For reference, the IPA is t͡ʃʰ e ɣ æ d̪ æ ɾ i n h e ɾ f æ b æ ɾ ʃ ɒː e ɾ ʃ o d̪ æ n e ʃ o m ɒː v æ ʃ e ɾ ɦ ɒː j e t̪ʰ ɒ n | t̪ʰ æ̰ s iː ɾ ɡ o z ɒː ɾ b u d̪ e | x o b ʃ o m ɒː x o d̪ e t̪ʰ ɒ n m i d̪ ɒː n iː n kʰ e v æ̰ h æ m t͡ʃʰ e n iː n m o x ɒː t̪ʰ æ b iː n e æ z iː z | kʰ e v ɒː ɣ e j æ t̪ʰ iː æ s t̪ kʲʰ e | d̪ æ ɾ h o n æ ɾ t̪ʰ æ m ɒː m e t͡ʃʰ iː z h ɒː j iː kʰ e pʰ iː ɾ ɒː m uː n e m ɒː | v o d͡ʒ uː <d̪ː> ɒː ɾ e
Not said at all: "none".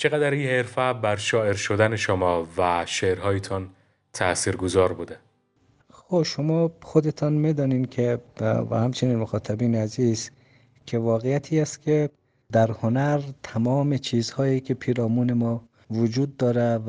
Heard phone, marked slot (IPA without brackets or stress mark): d̪ː